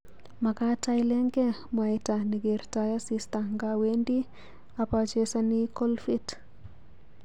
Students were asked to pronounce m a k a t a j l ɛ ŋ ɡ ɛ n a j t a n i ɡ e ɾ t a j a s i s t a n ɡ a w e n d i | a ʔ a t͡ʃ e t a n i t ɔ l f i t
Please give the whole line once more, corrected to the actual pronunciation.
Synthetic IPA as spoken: m a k a t a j l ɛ ŋ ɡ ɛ m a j t a n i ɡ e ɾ t a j a s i s t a ŋ ɡ a w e n d i | a p a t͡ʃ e s a n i k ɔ l f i t